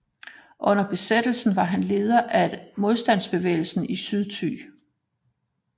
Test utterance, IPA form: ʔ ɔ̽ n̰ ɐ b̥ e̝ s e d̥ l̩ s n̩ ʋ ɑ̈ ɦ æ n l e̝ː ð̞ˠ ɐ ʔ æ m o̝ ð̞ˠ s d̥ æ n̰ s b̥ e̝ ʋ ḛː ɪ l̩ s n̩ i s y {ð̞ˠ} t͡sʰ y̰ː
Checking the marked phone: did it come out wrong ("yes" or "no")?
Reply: no